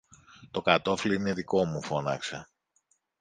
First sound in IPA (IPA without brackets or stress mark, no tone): t̪